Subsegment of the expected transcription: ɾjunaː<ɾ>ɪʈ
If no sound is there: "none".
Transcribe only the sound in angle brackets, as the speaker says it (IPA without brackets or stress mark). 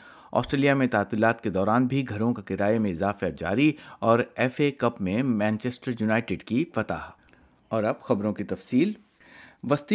none